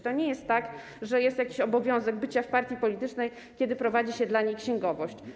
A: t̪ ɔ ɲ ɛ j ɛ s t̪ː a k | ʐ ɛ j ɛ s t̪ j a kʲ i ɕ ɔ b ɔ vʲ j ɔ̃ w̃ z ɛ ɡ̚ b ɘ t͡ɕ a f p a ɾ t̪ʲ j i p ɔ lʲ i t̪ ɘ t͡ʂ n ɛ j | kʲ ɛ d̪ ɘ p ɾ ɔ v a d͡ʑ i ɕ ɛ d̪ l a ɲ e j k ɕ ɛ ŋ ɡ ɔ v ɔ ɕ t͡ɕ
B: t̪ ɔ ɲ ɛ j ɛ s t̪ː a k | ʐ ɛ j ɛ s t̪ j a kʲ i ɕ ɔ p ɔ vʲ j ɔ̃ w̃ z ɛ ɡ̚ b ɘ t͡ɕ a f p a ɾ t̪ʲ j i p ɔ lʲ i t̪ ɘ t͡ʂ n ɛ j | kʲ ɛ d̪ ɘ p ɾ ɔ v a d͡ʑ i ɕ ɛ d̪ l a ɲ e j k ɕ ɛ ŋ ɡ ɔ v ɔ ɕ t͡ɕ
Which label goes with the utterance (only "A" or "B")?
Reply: A